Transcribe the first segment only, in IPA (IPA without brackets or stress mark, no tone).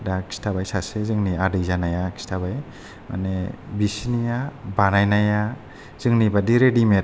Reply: d